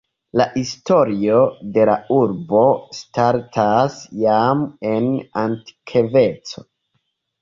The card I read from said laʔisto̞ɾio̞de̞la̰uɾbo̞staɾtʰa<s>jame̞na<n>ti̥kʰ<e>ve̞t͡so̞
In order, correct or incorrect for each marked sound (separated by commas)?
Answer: correct, correct, correct